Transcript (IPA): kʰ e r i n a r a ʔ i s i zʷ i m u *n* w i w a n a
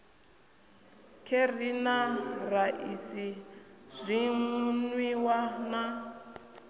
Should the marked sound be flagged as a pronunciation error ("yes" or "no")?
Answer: no